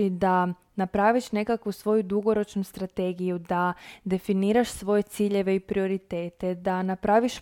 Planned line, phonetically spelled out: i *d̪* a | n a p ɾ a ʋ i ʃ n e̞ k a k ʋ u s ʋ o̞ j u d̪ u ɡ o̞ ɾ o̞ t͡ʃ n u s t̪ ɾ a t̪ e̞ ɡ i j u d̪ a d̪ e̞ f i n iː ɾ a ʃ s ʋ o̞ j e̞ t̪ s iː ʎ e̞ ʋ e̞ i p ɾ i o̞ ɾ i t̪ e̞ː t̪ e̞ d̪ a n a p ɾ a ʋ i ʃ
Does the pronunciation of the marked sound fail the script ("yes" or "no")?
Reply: no